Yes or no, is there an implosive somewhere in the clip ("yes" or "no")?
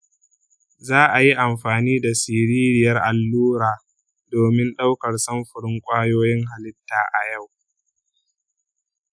yes